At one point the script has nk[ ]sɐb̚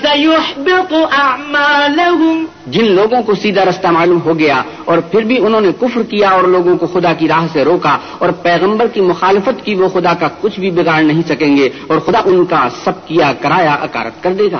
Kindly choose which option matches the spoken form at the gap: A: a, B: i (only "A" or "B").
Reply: A